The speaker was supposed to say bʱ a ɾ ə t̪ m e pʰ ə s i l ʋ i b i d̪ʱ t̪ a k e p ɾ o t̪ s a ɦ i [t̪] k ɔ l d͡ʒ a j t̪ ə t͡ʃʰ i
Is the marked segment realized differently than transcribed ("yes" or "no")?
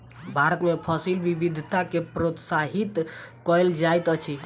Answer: no